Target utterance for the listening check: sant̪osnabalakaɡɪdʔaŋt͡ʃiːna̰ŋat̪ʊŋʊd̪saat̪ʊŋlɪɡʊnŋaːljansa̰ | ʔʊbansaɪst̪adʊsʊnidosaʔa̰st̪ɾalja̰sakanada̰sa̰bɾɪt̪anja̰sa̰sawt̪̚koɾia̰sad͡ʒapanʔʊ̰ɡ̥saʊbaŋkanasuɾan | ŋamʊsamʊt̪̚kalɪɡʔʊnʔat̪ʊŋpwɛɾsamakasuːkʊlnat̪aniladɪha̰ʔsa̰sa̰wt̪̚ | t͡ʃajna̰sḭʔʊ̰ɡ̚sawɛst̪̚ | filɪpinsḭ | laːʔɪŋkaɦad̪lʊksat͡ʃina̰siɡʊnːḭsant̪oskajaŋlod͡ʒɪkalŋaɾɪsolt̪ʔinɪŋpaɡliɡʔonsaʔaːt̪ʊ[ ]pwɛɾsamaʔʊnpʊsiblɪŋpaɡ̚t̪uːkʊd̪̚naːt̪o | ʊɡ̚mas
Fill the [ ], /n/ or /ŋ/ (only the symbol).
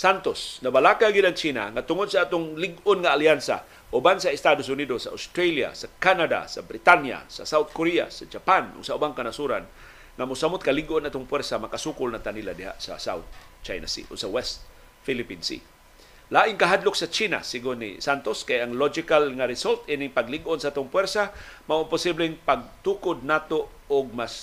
ŋ